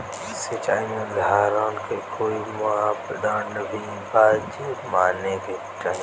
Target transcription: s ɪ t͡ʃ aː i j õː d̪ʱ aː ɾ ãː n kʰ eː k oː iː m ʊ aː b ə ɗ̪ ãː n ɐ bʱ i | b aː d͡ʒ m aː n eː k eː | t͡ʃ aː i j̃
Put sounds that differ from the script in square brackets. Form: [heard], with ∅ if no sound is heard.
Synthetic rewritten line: s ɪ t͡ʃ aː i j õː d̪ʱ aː ɾ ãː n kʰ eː k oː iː m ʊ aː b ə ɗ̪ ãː n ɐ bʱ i | b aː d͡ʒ m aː n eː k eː | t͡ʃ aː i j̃

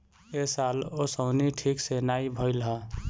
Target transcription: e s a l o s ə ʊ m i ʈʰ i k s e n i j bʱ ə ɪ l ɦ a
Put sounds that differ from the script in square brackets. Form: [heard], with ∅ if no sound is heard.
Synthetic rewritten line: e s a l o s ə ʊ [n] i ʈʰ i k s e n [a] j bʱ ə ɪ l ɦ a

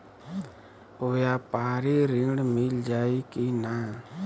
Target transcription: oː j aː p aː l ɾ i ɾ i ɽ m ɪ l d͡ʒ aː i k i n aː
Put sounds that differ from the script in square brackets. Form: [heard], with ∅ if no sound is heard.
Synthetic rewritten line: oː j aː p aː [∅] ɾ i ɾ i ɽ m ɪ l d͡ʒ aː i k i n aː

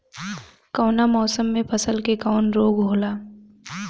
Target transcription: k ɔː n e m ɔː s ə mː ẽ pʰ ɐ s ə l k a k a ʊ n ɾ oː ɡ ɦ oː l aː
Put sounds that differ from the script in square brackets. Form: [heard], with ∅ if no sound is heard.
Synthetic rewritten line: k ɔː n [a] m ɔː s ə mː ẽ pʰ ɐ s ə l k [e] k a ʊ n ɾ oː ɡ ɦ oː l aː

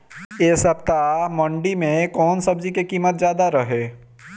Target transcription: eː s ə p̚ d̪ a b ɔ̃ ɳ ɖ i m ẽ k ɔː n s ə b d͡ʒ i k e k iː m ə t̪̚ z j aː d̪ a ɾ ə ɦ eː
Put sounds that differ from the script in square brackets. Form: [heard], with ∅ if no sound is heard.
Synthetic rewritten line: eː s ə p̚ [t̪] a [m] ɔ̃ ɳ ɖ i m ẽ k ɔː n s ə b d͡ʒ i k e k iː m ə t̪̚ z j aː d̪ a ɾ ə ɦ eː

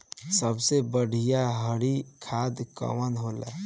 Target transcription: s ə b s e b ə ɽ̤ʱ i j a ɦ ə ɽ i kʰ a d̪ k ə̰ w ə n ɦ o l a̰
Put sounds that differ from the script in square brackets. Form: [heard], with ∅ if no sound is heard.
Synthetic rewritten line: s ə b s e b ə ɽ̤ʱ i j a ɦ ə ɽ i kʰ a d̪ k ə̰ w ə n ɦ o l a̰

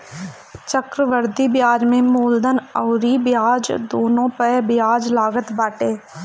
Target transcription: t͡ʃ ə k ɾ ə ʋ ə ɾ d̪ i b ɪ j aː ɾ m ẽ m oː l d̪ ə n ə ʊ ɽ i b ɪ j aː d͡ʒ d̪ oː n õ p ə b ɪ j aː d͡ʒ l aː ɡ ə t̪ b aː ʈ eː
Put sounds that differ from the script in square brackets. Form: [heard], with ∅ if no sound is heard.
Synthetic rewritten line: t͡ʃ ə k ɾ ə ʋ ə ɾ d̪ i b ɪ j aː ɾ m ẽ m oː l d̪ ə n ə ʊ [ɾ] i b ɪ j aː d͡ʒ d̪ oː n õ p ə b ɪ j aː d͡ʒ l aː ɡ ə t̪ b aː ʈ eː

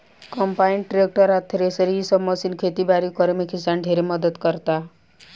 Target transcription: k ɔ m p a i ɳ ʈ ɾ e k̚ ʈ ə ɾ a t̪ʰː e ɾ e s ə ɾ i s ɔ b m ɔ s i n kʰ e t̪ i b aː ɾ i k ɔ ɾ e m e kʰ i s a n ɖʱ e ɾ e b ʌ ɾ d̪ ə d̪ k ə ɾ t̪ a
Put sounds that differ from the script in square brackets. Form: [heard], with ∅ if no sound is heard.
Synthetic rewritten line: k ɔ m p a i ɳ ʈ ɾ e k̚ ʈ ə ɾ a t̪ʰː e ɾ e s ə ɾ i s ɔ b m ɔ s i n kʰ e t̪ i b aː ɾ i k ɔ ɾ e m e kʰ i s a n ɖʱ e ɾ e [m] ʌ [∅] d̪ ə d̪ k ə ɾ t̪ a

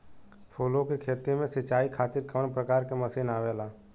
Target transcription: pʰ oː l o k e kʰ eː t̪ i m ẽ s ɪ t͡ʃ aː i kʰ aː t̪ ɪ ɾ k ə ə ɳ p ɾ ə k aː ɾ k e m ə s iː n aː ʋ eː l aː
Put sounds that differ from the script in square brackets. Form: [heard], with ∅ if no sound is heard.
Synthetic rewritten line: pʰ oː l o k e kʰ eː t̪ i m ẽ s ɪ t͡ʃ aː i kʰ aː t̪ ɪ ɾ k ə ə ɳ p ɾ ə k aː ɾ k e m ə s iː n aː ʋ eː l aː

